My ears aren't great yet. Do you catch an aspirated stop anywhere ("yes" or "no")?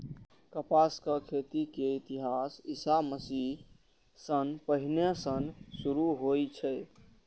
yes